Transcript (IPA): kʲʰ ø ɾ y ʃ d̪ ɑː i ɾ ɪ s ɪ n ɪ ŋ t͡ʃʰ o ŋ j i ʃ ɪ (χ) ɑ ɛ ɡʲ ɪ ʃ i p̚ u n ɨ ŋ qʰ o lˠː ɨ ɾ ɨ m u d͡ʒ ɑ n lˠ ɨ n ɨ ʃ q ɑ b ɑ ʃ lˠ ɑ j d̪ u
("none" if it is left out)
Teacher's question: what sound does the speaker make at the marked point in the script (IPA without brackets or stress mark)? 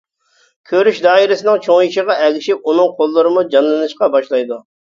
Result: ʁ